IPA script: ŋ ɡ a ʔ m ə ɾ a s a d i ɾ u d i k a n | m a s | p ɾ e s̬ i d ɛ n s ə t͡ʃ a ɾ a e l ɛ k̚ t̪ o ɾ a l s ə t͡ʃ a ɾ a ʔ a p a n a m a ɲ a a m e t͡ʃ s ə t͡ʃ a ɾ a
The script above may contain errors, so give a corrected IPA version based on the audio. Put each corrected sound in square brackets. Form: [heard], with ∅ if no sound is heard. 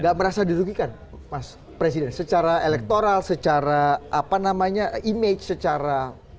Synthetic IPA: ŋ ɡ a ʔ m ə ɾ a s a d i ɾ u [ɡ] i k a n | m a s | p ɾ e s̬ i d ɛ n s ə t͡ʃ a ɾ a e l ɛ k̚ t̪ o ɾ a l s ə t͡ʃ a ɾ a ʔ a p a n a m a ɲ a [i] m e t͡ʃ s ə t͡ʃ a ɾ a